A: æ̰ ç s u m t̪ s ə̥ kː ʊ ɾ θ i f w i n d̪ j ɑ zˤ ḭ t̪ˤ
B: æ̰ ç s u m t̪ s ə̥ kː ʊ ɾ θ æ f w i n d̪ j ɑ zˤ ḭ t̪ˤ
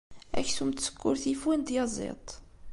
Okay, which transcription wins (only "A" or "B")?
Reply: A